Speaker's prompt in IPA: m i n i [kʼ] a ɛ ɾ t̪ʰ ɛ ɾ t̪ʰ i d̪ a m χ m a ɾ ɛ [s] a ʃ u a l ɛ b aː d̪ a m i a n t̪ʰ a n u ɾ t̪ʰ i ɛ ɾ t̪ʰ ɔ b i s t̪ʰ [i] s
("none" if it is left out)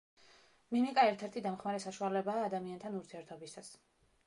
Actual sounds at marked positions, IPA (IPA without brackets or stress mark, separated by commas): kʼ, s, a